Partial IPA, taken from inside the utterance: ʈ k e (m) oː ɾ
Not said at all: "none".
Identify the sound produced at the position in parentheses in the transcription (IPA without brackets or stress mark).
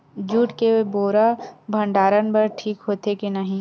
b